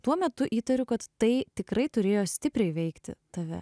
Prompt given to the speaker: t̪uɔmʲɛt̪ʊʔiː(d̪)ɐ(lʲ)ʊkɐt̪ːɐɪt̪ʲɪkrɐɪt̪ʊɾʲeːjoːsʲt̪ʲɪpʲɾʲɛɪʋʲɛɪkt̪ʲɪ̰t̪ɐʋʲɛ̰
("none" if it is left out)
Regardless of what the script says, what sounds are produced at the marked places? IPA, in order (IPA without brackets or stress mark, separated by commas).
t̪, ɾʲ